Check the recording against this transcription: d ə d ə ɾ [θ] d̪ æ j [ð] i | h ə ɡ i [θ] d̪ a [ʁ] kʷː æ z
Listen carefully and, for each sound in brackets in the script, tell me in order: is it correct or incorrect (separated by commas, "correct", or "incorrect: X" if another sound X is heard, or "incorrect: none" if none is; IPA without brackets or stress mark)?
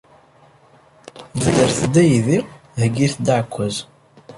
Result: correct, correct, correct, incorrect: ʕ